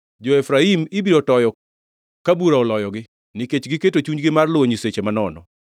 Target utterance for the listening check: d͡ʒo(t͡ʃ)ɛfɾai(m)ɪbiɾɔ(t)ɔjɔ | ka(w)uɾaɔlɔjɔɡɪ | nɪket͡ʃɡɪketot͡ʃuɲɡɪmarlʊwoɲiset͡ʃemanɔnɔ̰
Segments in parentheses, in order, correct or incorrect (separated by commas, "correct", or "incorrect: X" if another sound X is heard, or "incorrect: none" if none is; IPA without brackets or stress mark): incorrect: none, correct, correct, incorrect: b